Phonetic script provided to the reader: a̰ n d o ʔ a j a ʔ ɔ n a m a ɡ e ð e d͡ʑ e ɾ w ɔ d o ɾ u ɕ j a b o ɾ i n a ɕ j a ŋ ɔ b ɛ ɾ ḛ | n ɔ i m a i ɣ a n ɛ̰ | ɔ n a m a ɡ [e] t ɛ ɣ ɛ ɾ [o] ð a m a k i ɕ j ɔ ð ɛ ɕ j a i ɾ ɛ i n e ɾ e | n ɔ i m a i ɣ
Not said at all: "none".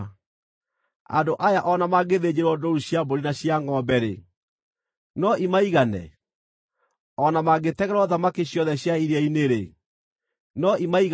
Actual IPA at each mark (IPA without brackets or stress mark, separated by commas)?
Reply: e, ɔ